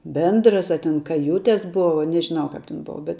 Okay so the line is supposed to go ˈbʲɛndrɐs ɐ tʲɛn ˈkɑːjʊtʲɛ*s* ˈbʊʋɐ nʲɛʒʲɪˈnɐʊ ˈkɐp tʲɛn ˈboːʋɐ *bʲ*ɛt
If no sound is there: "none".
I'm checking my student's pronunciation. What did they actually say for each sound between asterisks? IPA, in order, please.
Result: s, bʲ

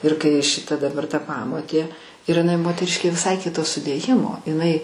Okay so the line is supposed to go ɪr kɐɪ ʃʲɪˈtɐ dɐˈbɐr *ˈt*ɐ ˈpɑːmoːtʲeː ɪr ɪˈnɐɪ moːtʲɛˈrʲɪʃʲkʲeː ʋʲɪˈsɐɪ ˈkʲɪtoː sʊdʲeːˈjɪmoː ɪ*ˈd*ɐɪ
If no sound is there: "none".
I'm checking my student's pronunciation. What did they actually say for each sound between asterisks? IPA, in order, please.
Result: t, n

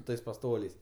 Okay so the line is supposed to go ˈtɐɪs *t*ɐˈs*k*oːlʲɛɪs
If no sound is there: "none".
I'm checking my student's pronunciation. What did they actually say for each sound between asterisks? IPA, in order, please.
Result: p, t

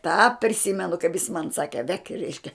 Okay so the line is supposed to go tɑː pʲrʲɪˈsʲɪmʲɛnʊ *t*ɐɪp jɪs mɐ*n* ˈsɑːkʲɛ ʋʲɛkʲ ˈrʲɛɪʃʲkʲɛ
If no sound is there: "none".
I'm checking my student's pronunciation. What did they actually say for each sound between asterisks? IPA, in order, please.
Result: k, n

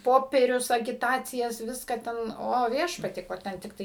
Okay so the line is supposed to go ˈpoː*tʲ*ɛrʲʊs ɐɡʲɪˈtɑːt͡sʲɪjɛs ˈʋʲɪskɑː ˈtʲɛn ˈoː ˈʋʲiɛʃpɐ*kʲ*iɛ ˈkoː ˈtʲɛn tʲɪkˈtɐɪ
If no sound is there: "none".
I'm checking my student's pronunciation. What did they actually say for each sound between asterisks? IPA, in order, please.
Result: pʲ, tʲ

